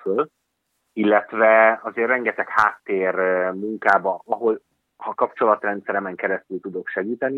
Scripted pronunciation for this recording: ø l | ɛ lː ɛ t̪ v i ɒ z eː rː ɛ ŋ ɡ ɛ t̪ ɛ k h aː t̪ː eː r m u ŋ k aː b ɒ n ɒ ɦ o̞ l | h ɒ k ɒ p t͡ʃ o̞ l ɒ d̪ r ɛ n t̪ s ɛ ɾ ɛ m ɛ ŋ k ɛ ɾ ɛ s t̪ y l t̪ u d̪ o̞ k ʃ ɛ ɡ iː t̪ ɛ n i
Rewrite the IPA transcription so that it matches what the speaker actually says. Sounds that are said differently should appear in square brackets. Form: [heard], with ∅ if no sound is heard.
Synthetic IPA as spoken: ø l | [i] lː ɛ t̪ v [ɛ] ɒ z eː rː ɛ ŋ ɡ ɛ t̪ ɛ k h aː t̪ː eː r m u ŋ k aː b ɒ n ɒ ɦ o̞ l | h ɒ k ɒ p t͡ʃ o̞ l ɒ [t̪] r ɛ n t̪ s ɛ ɾ ɛ m ɛ ŋ k ɛ ɾ ɛ s t̪ y l t̪ u d̪ o̞ k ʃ ɛ ɡ iː t̪ ɛ n i